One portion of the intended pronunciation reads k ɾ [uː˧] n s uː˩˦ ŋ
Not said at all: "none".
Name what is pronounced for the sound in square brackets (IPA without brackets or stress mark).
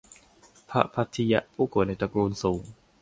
uː˧